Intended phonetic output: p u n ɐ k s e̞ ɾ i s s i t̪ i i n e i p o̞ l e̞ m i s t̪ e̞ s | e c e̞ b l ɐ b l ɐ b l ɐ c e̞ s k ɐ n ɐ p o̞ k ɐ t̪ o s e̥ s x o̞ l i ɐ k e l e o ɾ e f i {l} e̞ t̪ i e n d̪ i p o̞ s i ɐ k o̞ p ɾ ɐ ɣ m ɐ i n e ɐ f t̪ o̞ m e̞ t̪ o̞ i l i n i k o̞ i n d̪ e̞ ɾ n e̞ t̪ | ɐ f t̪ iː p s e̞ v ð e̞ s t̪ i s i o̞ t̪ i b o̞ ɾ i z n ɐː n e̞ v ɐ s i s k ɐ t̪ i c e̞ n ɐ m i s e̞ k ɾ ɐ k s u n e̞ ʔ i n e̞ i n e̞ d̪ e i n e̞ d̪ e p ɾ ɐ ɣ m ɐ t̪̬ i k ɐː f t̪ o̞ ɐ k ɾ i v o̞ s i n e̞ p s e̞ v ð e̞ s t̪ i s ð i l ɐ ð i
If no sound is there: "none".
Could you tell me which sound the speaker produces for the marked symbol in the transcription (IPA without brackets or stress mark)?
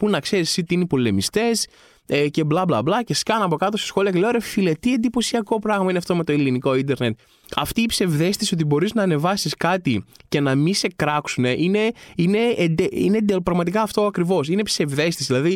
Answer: l